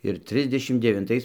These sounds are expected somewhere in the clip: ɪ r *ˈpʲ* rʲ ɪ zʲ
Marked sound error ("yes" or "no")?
yes